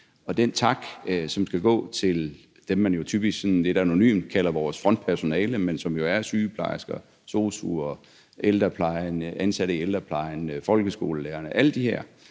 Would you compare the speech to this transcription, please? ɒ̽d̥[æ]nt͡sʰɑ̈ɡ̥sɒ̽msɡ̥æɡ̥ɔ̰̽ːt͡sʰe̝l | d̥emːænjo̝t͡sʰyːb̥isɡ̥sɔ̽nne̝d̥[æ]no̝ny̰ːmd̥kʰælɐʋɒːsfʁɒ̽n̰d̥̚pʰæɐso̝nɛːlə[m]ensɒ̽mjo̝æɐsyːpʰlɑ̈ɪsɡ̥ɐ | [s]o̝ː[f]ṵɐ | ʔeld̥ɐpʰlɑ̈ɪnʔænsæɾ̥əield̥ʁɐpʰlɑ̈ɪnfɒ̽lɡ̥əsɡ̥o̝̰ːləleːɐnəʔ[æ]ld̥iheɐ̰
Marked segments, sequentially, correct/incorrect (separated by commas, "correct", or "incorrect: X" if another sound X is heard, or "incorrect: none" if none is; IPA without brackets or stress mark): incorrect: e, correct, correct, correct, incorrect: s, correct